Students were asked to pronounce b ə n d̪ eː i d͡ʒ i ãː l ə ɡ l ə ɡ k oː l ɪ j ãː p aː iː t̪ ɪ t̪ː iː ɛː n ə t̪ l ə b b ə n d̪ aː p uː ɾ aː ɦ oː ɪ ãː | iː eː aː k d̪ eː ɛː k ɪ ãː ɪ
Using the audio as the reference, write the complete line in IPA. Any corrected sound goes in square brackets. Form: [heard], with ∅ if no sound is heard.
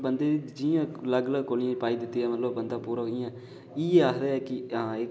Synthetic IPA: b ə n d̪ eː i d͡ʒ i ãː l ə ɡ l ə ɡ k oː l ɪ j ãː p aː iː [d̪] ɪ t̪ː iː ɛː [m] ə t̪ l ə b b ə n d̪ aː p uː ɾ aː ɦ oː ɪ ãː | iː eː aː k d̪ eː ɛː k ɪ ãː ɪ

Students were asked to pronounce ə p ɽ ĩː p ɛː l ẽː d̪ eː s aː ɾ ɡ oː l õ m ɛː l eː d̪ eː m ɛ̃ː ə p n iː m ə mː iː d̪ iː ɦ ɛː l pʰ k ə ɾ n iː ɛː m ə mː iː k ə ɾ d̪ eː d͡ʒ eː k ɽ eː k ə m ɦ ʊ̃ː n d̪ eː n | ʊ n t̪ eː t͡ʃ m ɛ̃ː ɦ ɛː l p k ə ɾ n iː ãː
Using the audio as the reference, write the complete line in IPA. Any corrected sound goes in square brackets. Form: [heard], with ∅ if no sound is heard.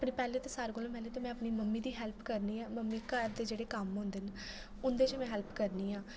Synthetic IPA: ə p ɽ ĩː p ɛː l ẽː [t̪] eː s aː ɾ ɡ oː l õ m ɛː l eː [t̪] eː m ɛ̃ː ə p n iː m ə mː iː d̪ iː ɦ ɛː l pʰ k ə ɾ n iː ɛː m ə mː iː k ə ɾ d̪ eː d͡ʒ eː [∅] ɽ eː k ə m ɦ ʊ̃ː n d̪ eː n | ʊ n [d̪] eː t͡ʃ m ɛ̃ː ɦ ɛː l p k ə ɾ n iː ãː

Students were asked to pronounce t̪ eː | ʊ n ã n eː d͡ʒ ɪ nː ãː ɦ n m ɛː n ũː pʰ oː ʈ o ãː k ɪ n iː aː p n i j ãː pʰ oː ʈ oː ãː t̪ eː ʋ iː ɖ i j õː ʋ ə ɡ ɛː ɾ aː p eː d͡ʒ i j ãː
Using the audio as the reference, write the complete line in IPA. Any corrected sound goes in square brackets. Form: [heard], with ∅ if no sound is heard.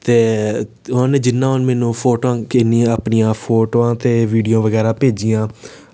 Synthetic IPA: t̪ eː | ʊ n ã n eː d͡ʒ ɪ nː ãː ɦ n m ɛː n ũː pʰ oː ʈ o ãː k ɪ n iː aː p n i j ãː pʰ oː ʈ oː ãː t̪ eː ʋ iː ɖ i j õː ʋ ə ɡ ɛː ɾ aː p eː d͡ʒ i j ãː

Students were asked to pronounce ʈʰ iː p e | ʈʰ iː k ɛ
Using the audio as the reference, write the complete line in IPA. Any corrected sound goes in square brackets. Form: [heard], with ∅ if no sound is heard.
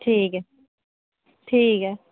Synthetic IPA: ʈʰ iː [k] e | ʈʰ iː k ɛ

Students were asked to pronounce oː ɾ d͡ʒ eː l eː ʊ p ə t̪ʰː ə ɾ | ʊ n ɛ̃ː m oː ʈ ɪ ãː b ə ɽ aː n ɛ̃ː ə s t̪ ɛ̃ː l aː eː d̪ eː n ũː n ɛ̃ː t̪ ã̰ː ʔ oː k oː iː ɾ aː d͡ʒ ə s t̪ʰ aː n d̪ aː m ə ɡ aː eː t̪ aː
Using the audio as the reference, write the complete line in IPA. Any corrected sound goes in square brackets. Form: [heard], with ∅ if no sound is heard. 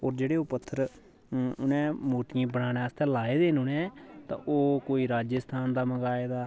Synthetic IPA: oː ɾ d͡ʒ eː [ɽ] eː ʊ p ə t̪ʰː ə ɾ | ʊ n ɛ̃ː m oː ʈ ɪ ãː b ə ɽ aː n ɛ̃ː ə s t̪ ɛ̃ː l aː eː d̪ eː n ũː n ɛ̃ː t̪ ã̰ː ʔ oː k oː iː ɾ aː d͡ʒ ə s t̪ʰ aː n d̪ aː m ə ɡ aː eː [d̪] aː

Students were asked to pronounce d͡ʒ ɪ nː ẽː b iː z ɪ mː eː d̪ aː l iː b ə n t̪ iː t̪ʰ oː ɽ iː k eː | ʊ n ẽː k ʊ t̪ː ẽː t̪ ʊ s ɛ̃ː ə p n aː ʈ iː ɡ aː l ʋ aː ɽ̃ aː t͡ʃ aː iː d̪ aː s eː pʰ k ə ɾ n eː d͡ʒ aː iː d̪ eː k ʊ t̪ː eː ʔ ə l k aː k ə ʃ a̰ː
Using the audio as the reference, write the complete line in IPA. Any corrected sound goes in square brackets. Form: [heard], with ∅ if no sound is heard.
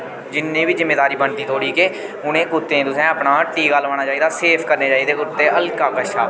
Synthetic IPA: d͡ʒ ɪ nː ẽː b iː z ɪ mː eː d̪ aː [ɾ] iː b ə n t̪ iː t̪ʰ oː ɽ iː k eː | ʊ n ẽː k ʊ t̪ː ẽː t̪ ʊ s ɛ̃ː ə p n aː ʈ iː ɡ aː l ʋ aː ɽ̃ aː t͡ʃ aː iː d̪ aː s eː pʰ k ə ɾ n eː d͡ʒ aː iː d̪ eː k ʊ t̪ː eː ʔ ə l k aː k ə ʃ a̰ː

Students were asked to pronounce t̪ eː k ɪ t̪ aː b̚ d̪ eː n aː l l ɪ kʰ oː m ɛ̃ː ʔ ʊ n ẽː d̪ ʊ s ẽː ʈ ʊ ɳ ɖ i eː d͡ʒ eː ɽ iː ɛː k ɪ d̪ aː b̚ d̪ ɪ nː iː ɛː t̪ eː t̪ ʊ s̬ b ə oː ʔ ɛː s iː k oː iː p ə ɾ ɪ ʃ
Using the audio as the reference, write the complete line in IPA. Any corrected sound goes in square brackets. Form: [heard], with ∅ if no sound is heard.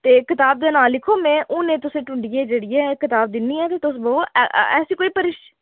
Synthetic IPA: t̪ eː k ɪ t̪ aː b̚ d̪ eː n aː l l ɪ kʰ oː m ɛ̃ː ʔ ʊ n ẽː [t̪] ʊ s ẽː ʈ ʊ ɳ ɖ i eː d͡ʒ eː ɽ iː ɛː k ɪ [t̪] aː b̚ d̪ ɪ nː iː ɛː t̪ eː t̪ ʊ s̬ b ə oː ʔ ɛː s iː k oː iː p ə ɾ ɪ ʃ

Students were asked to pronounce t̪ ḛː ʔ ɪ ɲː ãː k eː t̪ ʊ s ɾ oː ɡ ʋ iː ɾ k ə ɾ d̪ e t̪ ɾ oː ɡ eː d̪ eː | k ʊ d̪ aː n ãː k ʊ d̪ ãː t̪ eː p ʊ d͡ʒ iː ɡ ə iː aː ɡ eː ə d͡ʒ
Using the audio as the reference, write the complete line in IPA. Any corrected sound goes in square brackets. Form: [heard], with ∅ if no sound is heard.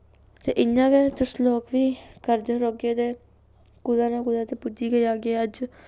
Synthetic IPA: t̪ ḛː ʔ ɪ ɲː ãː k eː t̪ ʊ s [l] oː [k] ʋ iː [∅] k ə ɾ d̪ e [∅] ɾ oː ɡ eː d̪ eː | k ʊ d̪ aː n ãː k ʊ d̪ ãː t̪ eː p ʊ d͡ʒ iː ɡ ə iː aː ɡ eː ə d͡ʒ

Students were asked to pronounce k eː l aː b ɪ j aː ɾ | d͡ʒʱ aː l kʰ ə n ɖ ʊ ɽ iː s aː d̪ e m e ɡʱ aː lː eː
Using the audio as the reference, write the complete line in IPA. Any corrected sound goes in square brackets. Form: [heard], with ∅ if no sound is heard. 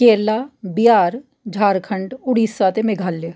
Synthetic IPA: k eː l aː b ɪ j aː ɾ | d͡ʒʱ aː [ɾ] kʰ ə [ɳ] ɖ ʊ ɽ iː s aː [t̪] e m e ɡʱ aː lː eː

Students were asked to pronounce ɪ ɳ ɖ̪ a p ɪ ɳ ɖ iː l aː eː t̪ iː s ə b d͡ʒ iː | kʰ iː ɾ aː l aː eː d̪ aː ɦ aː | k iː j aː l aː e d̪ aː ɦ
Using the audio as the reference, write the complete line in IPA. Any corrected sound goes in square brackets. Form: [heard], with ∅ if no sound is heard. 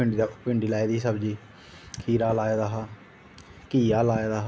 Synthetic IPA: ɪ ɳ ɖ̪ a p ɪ ɳ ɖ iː l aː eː [d̪] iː s ə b d͡ʒ iː | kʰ iː ɾ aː l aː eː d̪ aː ɦ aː | k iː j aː l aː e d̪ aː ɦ

